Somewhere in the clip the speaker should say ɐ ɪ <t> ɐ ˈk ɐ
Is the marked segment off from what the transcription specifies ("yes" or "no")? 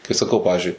yes